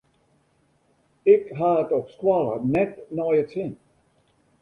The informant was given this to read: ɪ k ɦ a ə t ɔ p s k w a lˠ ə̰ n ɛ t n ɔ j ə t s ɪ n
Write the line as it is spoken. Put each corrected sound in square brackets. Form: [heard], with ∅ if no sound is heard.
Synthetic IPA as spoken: ɪ k ɦ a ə t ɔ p s k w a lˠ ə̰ n ɛ t n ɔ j ə t s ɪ n